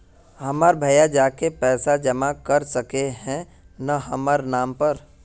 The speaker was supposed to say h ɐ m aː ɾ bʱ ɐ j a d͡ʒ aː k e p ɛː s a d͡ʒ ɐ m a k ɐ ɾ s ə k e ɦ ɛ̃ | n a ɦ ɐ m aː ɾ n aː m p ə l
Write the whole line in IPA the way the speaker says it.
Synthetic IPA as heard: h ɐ m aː ɾ bʱ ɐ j a d͡ʒ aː k e p ɛː s a d͡ʒ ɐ m a k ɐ ɾ s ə k e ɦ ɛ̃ | n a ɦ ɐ m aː ɾ n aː m p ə ɾ